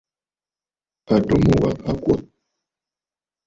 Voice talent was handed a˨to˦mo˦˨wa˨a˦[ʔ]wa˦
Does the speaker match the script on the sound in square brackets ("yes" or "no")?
no